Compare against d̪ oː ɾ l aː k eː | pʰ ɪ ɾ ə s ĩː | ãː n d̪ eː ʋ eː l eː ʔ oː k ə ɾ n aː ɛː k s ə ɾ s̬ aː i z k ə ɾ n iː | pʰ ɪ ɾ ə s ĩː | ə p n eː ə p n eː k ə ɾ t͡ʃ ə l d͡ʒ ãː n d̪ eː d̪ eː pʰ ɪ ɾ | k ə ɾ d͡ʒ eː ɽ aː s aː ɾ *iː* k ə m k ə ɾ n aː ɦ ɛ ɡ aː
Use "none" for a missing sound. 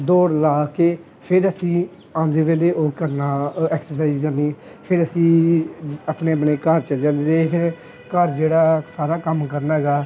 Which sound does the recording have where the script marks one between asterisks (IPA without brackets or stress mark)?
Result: aː